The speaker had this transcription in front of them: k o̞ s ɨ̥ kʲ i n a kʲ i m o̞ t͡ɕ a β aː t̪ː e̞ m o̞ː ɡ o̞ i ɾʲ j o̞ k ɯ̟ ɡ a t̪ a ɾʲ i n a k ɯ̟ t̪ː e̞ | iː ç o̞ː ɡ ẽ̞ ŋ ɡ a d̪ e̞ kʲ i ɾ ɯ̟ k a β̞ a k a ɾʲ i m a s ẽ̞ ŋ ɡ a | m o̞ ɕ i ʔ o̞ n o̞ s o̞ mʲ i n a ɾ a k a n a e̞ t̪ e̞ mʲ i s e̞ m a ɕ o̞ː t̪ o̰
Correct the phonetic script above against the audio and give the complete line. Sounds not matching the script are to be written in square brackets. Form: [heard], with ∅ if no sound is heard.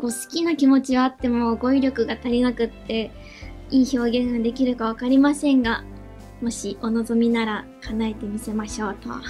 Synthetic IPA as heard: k o̞ s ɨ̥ kʲ i n a kʲ i m o̞ t͡ɕ [i] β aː t̪ː e̞ m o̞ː ɡ o̞ i ɾʲ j o̞ k ɯ̟ ɡ a t̪ a ɾʲ i n a k ɯ̟ t̪ː e̞ | iː ç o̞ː ɡ ẽ̞ ŋ ɡ a d̪ e̞ kʲ i ɾ ɯ̟ k a β̞ a k a ɾʲ i m a s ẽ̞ ŋ ɡ a | m o̞ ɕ i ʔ o̞ n o̞ [z] o̞ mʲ i n a ɾ a k a n a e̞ t̪ e̞ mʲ i s e̞ m a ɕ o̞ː t̪ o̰